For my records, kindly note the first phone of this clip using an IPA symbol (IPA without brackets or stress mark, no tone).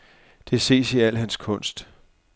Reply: d̥